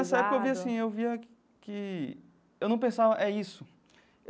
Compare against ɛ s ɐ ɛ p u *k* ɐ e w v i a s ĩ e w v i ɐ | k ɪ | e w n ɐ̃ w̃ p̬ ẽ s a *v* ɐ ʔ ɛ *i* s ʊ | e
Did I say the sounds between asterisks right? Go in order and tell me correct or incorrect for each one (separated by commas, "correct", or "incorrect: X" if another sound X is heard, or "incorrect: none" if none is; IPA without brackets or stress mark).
correct, correct, correct